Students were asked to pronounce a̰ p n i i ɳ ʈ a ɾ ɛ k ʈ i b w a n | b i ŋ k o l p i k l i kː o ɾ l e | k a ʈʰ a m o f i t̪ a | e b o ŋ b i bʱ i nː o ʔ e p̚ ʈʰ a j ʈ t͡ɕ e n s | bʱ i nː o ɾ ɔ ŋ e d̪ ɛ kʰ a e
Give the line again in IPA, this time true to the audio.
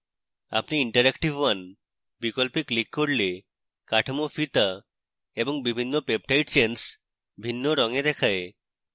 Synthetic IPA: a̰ p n i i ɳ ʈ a ɾ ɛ k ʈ i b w a n | b i k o l p i k l i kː o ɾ l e | k a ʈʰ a m o f i t̪ a | e b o ŋ b i bʱ i nː o p e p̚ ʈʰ a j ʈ t͡ɕ e n s | bʱ i nː o ɾ ɔ ŋ e d̪ ɛ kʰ a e